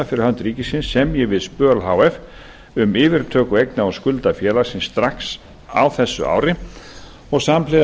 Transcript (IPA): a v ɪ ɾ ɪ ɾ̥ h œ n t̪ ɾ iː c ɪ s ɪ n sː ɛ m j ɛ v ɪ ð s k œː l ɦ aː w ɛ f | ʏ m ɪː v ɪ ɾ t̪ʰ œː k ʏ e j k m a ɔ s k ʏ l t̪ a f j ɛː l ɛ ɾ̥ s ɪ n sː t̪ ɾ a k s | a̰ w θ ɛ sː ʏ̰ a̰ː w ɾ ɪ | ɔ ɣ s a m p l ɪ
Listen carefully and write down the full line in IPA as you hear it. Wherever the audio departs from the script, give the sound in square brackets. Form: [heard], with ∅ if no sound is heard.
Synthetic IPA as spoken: a [f] ɪ ɾ ɪ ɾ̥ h œ n t̪ ɾ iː c ɪ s ɪ n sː ɛ m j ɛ v ɪ ð s [p] œː l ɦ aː w ɛ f | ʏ m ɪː v ɪ ɾ t̪ʰ œː k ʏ e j k [n] a ɔ s k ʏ l t̪ a f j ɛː l [a] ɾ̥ s ɪ n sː t̪ ɾ a k s | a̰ w θ ɛ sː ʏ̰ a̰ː w ɾ ɪ | ɔ ɣ s a m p l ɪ